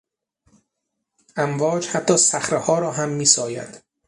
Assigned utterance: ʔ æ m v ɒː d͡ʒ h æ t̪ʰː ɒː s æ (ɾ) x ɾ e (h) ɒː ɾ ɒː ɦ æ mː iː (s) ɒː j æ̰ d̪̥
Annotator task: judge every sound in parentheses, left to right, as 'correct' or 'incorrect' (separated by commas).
incorrect, correct, correct